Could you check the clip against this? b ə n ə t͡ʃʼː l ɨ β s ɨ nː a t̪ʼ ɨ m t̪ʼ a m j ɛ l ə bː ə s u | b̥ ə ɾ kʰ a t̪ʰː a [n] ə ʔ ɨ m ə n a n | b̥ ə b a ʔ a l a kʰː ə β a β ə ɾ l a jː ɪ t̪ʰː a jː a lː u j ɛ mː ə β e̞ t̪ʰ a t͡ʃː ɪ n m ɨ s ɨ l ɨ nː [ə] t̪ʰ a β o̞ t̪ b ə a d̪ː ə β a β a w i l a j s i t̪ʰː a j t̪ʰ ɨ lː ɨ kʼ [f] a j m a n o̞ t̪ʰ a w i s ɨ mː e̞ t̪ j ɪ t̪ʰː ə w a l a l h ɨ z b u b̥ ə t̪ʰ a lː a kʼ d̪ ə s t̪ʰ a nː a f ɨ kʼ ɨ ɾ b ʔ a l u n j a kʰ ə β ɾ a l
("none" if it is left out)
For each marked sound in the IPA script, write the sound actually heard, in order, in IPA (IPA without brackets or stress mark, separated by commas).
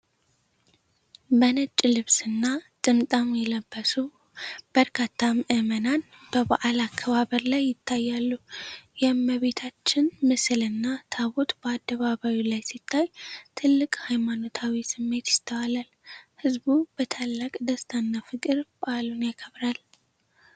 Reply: m, a, h